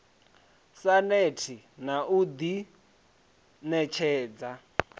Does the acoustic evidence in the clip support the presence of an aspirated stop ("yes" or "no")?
yes